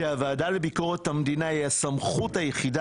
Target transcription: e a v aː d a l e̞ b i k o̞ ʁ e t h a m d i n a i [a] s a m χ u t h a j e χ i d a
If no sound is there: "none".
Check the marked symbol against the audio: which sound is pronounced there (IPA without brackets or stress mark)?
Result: a